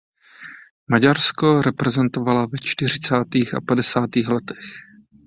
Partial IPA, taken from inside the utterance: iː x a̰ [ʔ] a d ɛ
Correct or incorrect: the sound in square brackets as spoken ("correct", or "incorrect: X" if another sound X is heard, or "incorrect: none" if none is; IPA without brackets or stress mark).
incorrect: p